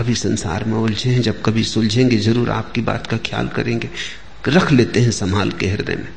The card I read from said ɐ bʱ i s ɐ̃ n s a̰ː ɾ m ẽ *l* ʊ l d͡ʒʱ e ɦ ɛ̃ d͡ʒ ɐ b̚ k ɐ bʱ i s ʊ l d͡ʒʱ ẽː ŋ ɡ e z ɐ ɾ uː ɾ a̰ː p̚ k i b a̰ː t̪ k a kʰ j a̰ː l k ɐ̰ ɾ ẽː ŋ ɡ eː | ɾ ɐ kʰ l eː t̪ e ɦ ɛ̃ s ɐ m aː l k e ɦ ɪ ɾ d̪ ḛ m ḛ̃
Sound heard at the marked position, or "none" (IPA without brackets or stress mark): none